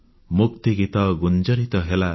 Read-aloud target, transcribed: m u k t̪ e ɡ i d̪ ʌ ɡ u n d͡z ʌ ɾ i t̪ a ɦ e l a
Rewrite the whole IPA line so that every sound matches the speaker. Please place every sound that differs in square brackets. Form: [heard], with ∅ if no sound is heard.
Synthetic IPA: m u k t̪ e ɡ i [t̪] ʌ ɡ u n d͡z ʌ ɾ i t̪ [ʌ] ɦ e l a